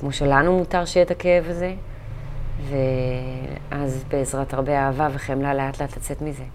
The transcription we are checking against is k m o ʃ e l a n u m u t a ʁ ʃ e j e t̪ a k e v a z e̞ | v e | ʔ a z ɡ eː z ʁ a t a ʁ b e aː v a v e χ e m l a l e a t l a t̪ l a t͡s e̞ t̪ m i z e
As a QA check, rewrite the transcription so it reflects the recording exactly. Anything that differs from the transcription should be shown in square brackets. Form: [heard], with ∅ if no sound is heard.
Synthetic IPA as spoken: k m o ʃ e l a n u m u t a ʁ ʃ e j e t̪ a k e v a z e̞ | v e | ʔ a z [b] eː z ʁ a t a ʁ b e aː v a v e χ e m l a l e a t l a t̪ l a t͡s e̞ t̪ m i z e